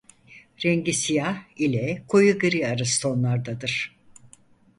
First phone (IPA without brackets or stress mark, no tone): ɾ